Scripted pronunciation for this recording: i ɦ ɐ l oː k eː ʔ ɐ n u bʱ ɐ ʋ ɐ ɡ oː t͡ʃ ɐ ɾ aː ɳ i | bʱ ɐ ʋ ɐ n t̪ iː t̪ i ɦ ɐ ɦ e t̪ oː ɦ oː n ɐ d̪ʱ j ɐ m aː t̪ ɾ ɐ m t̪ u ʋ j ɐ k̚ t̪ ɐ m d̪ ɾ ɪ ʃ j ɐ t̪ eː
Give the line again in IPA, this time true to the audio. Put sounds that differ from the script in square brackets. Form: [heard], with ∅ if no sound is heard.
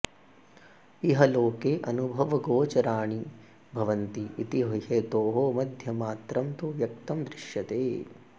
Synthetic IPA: i ɦ ɐ l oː k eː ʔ ɐ n u bʱ ɐ ʋ ɐ ɡ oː t͡ʃ ɐ ɾ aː ɳ i | bʱ ɐ ʋ ɐ n t̪ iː t̪ i ɦ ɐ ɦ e t̪ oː ɦ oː [m] ɐ d̪ʱ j ɐ m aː t̪ ɾ ɐ m t̪ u ʋ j ɐ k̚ t̪ ɐ m d̪ ɾ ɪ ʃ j ɐ t̪ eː

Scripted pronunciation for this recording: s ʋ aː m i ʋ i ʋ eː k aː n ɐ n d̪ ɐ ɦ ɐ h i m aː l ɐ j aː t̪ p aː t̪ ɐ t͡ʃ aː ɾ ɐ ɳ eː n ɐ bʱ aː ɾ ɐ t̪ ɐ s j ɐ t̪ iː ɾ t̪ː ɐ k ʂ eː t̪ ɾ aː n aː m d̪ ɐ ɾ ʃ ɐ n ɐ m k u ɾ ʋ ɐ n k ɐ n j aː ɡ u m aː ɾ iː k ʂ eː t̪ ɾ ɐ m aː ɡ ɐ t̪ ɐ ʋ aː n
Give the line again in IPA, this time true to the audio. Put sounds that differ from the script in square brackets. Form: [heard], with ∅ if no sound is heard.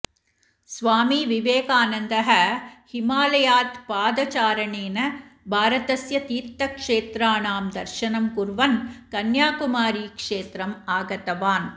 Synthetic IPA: s ʋ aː m i ʋ i ʋ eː k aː n ɐ n d̪ ɐ ɦ ɐ h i m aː l ɐ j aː t̪ p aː [d̪] ɐ t͡ʃ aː ɾ ɐ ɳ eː n ɐ bʱ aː ɾ ɐ t̪ ɐ s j ɐ t̪ iː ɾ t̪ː ɐ k ʂ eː t̪ ɾ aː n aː m d̪ ɐ ɾ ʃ ɐ n ɐ m k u ɾ ʋ ɐ n k ɐ n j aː [k] u m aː ɾ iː k ʂ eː t̪ ɾ ɐ m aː ɡ ɐ t̪ ɐ ʋ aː n

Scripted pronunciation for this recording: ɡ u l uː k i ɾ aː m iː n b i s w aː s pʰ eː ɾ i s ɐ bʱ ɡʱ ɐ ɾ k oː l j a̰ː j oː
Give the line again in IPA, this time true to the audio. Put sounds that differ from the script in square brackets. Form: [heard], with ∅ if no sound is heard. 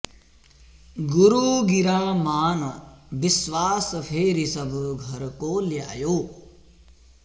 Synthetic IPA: ɡ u [ɾ] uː [ɡ] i ɾ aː m [aː] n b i s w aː s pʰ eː ɾ i s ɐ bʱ ɡʱ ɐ ɾ k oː l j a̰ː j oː

